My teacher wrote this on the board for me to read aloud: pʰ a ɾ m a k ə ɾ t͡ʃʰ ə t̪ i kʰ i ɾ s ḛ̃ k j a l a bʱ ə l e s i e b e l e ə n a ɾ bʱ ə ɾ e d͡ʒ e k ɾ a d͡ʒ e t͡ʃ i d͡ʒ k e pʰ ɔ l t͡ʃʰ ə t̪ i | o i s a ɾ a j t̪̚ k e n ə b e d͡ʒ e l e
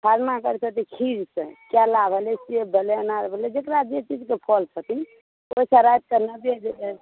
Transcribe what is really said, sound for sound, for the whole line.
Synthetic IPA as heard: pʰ a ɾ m a k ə ɾ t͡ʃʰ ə t̪ i kʰ i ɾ s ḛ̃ k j a l a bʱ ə l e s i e b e l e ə n a ɾ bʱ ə l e d͡ʒ e k ɾ a d͡ʒ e t͡ʃ i d͡ʒ k e pʰ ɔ l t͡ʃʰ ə t̪ i | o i s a ɾ a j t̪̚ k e n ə b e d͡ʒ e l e